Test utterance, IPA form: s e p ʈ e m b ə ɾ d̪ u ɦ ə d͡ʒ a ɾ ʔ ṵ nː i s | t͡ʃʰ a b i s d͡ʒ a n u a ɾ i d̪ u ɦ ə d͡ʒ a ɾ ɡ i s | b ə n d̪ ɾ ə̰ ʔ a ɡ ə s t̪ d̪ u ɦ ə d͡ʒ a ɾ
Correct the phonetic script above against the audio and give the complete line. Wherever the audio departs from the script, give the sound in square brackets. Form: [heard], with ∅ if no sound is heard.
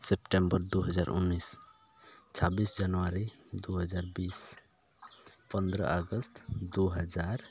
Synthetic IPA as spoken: s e p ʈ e m b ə ɾ d̪ u ɦ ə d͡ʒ a ɾ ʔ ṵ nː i s | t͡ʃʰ a b i s d͡ʒ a n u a ɾ i d̪ u ɦ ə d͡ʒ a ɾ [b] i s | [p] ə n d̪ ɾ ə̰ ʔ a ɡ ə s t̪ d̪ u ɦ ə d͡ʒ a ɾ

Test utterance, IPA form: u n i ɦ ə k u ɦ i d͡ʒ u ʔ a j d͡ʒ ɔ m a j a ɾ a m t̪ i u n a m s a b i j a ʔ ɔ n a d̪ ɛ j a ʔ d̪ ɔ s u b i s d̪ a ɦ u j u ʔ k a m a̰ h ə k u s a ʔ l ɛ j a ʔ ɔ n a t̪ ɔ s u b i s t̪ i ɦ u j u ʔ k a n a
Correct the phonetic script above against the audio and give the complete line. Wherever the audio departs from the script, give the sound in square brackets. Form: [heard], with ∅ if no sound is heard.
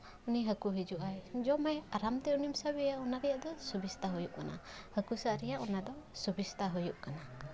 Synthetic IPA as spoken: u n i ɦ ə k u ɦ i d͡ʒ u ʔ a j d͡ʒ ɔ m a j a ɾ a m t̪ [ɛ] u n [i] m s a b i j a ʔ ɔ n a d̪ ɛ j a ʔ d̪ ɔ s u b i s [t̪] a ɦ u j u ʔ k a [n] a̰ h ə k u s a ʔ [ɾ] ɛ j a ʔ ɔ n a [d̪] ɔ s u b i s t̪ [a] ɦ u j u ʔ k a n a

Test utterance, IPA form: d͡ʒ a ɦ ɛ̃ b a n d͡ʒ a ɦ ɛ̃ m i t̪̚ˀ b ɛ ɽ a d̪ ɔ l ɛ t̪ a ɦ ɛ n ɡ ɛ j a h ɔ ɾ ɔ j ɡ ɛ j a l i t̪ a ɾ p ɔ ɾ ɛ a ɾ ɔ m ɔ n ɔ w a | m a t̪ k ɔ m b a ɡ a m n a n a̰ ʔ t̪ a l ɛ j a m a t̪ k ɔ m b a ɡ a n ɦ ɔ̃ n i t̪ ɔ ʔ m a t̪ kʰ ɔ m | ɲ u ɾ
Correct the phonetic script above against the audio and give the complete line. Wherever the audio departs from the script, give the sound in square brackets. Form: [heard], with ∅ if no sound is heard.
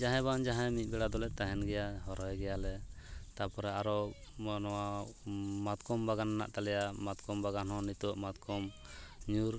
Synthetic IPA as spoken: d͡ʒ a ɦ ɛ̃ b a n d͡ʒ a ɦ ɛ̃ m i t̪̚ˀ b ɛ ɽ a d̪ ɔ l ɛ t̪ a ɦ ɛ n ɡ ɛ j a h ɔ ɾ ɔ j ɡ ɛ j a l [ɛ] t̪ a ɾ p ɔ ɾ ɛ a ɾ ɔ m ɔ n ɔ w a | m a t̪ k ɔ m b a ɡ a [∅] n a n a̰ ʔ t̪ a l ɛ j a m a t̪ k ɔ m b a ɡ a n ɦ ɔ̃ n i t̪ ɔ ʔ m a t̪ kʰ ɔ m | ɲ u ɾ

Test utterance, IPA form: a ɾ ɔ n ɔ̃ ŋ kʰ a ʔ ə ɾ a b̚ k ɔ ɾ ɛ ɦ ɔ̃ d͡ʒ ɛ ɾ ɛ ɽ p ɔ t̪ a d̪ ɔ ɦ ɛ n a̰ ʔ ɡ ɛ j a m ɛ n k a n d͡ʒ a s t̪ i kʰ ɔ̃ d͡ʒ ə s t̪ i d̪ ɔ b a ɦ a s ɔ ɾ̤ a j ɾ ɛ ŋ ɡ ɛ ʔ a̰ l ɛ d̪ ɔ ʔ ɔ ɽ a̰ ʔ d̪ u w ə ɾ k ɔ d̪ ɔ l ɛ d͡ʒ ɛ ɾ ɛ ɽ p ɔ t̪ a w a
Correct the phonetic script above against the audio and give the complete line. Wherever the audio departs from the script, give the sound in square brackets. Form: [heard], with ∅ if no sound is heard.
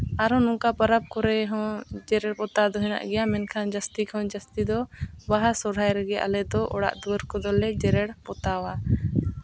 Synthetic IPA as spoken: a ɾ ɔ n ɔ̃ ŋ [k] a [p] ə ɾ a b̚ k ɔ ɾ ɛ ɦ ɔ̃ d͡ʒ ɛ ɾ ɛ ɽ p ɔ t̪ a d̪ ɔ ɦ ɛ n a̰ ʔ ɡ ɛ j a m ɛ n [kʰ] a n d͡ʒ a s t̪ i kʰ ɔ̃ d͡ʒ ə s t̪ i d̪ ɔ b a ɦ a s ɔ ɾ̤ a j ɾ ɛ [∅] ɡ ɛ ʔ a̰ l ɛ d̪ ɔ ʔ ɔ ɽ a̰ ʔ d̪ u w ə ɾ k ɔ d̪ ɔ l ɛ d͡ʒ ɛ ɾ ɛ ɽ p ɔ t̪ a w a

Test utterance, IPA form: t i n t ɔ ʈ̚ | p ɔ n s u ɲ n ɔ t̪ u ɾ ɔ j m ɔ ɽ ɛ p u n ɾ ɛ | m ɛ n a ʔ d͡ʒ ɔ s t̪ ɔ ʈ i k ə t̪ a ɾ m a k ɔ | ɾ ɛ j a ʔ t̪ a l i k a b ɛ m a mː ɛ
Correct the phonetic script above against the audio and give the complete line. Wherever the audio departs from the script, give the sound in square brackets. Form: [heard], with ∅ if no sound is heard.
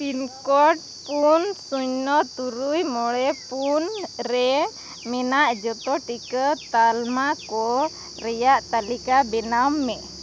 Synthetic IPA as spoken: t i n [k] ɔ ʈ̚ | p [u] n s u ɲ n ɔ t̪ u ɾ [u] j m ɔ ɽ ɛ p u n ɾ ɛ | m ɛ n a ʔ d͡ʒ ɔ [∅] t̪ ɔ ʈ i k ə t̪ a [l] m a k ɔ | ɾ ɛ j a ʔ t̪ a l i k a b ɛ [n] a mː ɛ

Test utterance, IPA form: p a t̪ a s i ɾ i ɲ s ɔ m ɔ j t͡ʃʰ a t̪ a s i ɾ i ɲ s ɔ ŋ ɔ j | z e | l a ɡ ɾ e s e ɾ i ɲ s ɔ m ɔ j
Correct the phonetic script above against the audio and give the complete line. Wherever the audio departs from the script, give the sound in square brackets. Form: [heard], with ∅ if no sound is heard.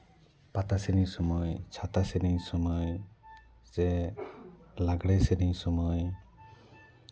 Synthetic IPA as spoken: p a t̪ a s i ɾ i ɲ s ɔ m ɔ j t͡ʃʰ a t̪ a s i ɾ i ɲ s ɔ [m] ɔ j | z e | l a ɡ [ɽ] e s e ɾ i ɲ s ɔ m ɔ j

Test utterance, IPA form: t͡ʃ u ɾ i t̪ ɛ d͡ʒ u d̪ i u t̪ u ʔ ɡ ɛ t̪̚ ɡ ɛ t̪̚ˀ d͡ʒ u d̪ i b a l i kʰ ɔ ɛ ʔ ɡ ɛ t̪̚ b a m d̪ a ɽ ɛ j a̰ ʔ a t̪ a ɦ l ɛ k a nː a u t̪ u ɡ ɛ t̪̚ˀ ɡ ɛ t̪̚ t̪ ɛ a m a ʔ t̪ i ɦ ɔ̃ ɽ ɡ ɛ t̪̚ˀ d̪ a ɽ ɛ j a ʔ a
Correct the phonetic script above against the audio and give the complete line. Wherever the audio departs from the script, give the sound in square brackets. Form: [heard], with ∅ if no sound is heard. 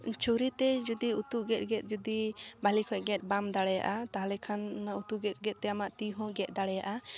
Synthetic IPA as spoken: t͡ʃ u ɾ i t̪ ɛ d͡ʒ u d̪ i u t̪ u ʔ ɡ ɛ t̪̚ ɡ ɛ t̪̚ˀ d͡ʒ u d̪ i b a l i kʰ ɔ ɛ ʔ ɡ ɛ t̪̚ b a m d̪ a ɽ ɛ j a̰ ʔ a t̪ a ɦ l ɛ [kʰ] a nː a u t̪ u ɡ ɛ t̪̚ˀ ɡ ɛ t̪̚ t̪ ɛ a m a ʔ t̪ i ɦ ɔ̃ [∅] ɡ ɛ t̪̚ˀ d̪ a ɽ ɛ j a ʔ a

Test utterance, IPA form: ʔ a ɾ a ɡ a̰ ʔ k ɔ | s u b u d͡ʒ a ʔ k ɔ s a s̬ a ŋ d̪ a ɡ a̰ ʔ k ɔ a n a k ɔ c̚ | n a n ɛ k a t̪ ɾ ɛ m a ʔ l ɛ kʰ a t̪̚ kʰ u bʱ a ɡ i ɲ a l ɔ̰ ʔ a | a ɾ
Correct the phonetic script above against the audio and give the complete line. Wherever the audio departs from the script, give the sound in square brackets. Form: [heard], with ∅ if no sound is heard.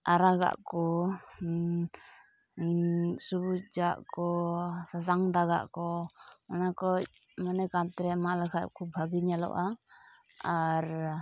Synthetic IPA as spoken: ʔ a ɾ a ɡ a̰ ʔ k ɔ | s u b u d͡ʒ a ʔ k ɔ s a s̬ a ŋ d̪ a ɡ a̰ ʔ k ɔ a n a k ɔ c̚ | [m] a n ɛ k a t̪ ɾ ɛ m a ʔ l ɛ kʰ a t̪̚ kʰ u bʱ a ɡ i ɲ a l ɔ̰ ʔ a | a ɾ

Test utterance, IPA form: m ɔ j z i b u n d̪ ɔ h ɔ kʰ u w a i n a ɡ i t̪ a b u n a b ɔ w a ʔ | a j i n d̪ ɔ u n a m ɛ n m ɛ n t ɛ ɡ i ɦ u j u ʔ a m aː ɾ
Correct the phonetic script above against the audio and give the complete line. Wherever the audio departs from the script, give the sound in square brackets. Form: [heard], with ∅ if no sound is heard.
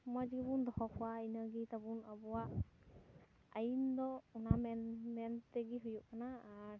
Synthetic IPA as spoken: m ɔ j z i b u n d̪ ɔ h ɔ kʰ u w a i n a ɡ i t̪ a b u n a b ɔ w a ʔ | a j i n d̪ ɔ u n a m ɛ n m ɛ n t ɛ ɡ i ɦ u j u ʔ a [n] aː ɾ

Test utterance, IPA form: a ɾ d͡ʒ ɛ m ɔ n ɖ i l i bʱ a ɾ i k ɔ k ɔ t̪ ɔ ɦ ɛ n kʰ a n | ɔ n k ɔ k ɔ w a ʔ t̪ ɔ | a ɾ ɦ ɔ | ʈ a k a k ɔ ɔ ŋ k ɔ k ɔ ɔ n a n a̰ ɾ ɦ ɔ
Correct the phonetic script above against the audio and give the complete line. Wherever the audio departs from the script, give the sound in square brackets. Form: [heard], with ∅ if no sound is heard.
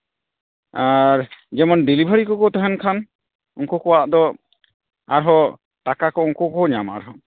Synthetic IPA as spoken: a ɾ d͡ʒ ɛ m ɔ n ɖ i l i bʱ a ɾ i k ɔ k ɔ t̪ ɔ ɦ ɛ n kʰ a n | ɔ [ŋ] k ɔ k ɔ w a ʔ [d̪] ɔ | a ɾ ɦ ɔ | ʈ a k a k ɔ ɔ ŋ k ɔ k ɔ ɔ [ɲ] a [m] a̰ ɾ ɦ ɔ

